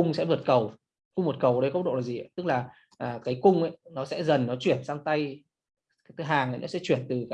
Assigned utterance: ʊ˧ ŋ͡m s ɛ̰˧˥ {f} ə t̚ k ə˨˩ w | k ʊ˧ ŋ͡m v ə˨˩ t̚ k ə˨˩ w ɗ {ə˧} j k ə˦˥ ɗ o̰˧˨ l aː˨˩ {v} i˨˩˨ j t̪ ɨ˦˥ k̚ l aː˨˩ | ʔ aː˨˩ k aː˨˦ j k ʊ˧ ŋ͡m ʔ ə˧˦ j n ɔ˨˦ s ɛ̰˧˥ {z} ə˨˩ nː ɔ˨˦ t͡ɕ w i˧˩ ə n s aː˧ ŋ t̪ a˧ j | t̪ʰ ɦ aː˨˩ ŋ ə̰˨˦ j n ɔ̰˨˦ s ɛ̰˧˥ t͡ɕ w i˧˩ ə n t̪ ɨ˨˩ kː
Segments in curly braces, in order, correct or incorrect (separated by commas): incorrect, correct, incorrect, correct